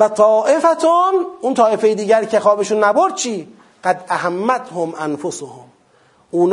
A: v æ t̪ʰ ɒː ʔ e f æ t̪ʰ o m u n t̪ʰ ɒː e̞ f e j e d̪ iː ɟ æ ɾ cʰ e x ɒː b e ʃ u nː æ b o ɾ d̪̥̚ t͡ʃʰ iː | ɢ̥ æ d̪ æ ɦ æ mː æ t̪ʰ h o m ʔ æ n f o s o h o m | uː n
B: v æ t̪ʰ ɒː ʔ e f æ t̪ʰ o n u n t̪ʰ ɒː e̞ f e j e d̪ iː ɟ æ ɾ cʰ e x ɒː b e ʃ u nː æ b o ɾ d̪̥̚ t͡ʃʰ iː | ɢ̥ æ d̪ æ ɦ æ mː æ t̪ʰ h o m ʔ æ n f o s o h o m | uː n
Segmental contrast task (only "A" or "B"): B